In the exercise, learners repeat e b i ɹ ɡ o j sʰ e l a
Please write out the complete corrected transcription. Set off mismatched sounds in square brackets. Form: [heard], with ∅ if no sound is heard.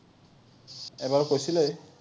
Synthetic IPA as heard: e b [a] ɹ [k] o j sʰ [i] l [e]